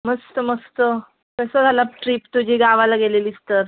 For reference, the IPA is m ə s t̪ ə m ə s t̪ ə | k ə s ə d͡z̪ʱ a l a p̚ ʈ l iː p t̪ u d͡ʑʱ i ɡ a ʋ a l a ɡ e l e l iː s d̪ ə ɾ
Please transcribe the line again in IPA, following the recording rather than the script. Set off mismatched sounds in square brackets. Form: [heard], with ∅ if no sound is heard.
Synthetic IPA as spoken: m ə s t̪ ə m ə s t̪ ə | k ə s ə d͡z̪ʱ a l a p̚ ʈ [ɾ] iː p t̪ u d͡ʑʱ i ɡ a ʋ a l a ɡ e l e l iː s [t̪] ə ɾ